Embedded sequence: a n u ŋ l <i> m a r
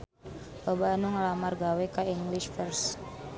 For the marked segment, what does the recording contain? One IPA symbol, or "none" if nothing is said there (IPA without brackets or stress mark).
a